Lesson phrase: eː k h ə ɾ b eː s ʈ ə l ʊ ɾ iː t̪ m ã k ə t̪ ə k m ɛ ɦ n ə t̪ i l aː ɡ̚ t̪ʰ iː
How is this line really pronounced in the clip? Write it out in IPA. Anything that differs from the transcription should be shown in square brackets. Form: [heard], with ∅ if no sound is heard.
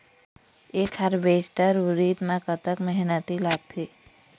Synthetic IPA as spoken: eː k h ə ɾ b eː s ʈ ə [ɾ] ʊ ɾ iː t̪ m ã k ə t̪ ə k m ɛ ɦ n ə t̪ i l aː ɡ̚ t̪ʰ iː